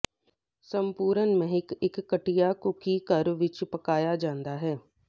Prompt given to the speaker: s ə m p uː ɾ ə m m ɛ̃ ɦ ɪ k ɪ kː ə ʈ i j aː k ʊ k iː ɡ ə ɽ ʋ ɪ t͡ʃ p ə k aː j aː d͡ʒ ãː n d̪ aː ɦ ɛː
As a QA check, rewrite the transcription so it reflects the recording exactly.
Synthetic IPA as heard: s ə m p uː ɾ ə n m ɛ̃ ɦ ɪ k ɪ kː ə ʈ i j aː k ʊ k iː k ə ɾ ʋ ɪ t͡ʃ p ə k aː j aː d͡ʒ ãː n d̪ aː ɦ ɛː